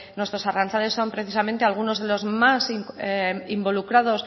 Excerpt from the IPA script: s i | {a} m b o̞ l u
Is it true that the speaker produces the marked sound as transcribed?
no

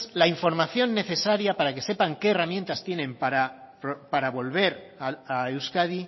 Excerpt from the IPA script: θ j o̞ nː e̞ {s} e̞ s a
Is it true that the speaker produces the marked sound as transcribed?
no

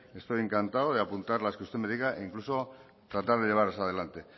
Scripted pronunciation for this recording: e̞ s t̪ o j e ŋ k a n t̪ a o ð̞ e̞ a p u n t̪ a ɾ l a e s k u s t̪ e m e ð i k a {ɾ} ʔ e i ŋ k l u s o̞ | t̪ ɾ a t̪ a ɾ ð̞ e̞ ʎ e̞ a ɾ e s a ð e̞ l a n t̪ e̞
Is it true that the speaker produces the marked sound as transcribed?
no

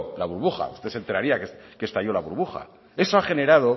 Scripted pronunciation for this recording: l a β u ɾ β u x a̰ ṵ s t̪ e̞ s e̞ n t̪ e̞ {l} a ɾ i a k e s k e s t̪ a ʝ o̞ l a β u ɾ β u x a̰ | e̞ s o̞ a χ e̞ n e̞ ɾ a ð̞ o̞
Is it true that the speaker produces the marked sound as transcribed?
no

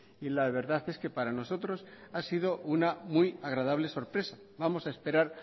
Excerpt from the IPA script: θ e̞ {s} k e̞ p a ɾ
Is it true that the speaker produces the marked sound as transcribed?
yes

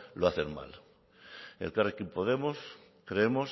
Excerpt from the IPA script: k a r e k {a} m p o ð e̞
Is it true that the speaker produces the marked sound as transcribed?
no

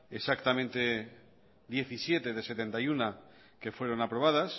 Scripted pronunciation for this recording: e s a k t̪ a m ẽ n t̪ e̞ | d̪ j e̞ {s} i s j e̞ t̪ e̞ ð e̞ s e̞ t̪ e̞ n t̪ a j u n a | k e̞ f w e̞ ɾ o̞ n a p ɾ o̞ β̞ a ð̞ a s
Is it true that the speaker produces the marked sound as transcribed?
no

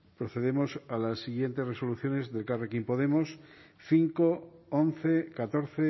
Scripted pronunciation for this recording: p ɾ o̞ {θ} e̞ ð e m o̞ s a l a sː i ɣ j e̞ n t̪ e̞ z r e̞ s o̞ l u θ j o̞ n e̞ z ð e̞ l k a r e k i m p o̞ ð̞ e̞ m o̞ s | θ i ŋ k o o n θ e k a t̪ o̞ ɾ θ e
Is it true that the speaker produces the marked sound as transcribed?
yes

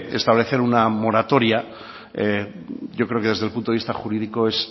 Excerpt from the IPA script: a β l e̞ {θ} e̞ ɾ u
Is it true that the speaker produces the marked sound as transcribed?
yes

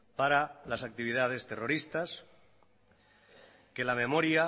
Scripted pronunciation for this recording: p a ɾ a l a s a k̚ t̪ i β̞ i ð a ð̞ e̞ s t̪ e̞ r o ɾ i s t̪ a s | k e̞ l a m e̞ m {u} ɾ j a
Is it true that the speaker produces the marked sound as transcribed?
no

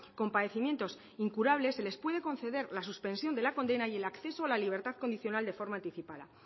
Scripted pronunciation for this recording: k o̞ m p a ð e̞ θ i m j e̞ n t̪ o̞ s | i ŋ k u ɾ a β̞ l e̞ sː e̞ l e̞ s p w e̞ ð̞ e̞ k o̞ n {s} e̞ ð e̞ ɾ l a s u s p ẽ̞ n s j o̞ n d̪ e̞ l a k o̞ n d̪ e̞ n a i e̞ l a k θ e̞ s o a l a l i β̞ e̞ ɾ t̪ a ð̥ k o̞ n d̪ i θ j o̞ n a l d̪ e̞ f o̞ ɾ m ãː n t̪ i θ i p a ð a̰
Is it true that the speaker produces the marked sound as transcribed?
no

